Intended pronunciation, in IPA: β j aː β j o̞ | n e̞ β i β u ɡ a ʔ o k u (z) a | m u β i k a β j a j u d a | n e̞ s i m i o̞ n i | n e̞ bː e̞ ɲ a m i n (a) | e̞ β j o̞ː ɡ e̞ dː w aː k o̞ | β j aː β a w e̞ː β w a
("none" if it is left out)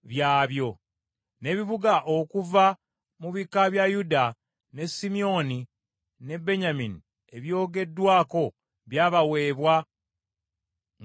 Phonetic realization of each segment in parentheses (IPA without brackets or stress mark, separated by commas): v, i